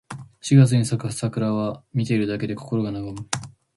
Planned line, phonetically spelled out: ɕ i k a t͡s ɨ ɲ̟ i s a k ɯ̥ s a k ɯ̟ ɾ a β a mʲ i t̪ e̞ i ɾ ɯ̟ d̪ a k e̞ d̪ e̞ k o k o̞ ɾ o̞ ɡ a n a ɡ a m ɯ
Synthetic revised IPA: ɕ i ɡ a t͡s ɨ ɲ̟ i s a k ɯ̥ s a k ɯ̟ ɾ a β a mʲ i t̪ e̞ i ɾ ɯ̟ d̪ a k e̞ d̪ e̞ k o k o̞ ɾ o̞ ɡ a n a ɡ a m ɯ